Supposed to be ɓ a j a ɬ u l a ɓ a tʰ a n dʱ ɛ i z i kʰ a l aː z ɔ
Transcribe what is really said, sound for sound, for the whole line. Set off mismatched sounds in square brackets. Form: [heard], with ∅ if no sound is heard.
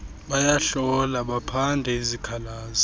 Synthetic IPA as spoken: ɓ a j a ɬ [ɔ] l a ɓ a [pʰ] a n dʱ ɛ i z i kʰ a l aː z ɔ